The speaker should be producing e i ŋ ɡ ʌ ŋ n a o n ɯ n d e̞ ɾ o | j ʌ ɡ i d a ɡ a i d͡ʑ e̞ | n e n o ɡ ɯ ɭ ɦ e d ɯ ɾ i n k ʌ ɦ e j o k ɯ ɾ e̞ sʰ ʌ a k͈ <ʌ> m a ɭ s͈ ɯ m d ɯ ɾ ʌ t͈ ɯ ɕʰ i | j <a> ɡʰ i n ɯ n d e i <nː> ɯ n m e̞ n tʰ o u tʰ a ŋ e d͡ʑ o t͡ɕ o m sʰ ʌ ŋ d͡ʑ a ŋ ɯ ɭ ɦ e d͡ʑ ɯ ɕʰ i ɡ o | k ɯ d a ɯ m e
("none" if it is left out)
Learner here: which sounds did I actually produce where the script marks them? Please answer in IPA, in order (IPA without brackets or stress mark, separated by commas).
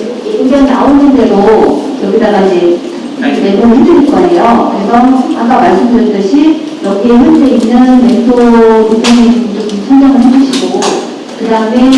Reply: a, ʌ, nː